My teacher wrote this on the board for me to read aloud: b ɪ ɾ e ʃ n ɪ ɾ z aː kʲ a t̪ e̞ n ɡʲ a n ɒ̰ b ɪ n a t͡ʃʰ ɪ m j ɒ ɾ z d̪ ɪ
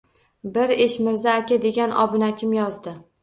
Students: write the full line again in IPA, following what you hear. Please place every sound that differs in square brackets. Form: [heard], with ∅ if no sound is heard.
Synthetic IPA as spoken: b ɪ ɾ e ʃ [m] ɪ ɾ z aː kʲ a [d̪] e̞ [∅] ɡʲ a n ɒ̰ b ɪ n a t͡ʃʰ ɪ m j ɒ [∅] z d̪ ɪ